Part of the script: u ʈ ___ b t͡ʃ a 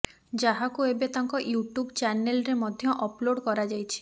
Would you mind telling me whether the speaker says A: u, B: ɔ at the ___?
A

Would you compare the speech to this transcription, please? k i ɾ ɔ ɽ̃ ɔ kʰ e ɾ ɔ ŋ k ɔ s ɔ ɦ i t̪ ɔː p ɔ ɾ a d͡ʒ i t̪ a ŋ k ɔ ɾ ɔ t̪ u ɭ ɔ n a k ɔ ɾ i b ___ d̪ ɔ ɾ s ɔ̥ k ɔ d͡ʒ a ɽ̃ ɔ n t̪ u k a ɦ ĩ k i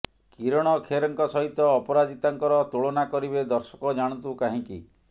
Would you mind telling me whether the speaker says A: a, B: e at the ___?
B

